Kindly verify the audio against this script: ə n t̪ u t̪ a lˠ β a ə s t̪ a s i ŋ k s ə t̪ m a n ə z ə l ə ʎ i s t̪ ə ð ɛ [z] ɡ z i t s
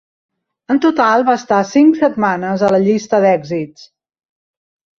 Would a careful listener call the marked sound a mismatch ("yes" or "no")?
yes